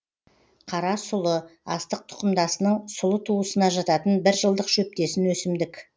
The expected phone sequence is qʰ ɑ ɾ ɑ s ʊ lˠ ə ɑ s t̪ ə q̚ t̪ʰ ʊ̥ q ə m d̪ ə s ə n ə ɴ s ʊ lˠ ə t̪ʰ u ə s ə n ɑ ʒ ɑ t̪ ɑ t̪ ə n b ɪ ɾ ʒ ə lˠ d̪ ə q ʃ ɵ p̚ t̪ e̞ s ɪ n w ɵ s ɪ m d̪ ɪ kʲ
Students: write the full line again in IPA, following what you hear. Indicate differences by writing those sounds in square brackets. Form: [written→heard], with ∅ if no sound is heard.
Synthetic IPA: qʰ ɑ ɾ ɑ s ʊ lˠ ə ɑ s t̪ ə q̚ t̪ʰ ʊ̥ q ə m d̪ [ə→ɑ] s ə n ə ɴ s ʊ lˠ ə t̪ʰ u ə s ə n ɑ ʒ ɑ t̪ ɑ t̪ ə n b ɪ ɾ ʒ ə lˠ d̪ ə q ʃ ɵ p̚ t̪ e̞ s ɪ n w ɵ s ɪ m d̪ ɪ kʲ